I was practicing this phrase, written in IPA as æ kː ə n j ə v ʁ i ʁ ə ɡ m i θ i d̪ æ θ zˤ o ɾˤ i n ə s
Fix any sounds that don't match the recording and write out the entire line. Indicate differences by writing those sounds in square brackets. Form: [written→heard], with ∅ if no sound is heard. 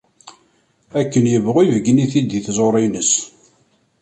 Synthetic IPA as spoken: æ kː ə n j ə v ʁ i [ʁ→v] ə ɡ [m→n] i θ i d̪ [æ→i] θ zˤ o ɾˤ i n ə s